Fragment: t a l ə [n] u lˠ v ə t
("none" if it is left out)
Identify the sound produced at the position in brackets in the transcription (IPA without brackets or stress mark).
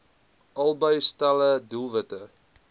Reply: d